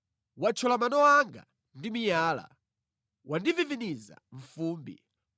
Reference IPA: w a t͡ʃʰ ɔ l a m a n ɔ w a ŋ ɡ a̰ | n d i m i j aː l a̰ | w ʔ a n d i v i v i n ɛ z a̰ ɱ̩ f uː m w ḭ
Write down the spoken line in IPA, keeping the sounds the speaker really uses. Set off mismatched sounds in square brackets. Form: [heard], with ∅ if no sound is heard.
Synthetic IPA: w a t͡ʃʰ ɔ l a m a n ɔ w a ŋ ɡ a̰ | n d i m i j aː l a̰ | w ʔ a n d i v i v i n [i] z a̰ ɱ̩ f uː m [b] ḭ